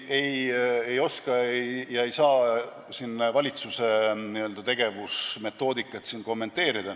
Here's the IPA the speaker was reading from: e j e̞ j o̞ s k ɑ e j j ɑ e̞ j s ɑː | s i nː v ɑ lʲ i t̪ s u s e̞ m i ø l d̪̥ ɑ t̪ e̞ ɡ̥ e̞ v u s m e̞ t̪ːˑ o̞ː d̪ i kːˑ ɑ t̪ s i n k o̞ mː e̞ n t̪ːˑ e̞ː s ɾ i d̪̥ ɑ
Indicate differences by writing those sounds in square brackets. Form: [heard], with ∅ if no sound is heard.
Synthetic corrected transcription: e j e̞ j o̞ s k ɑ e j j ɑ e̞ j s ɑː | s i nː v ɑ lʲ i t̪ s u s e̞ [n] i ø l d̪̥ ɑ t̪ e̞ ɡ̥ e̞ v u s m e̞ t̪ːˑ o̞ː d̪ i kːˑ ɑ t̪ s i n k o̞ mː e̞ n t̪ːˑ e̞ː [∅] ɾ i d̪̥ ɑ